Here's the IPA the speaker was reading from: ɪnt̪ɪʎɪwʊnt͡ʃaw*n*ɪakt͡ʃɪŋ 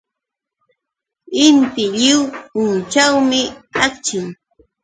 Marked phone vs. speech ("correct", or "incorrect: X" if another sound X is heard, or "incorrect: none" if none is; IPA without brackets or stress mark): incorrect: m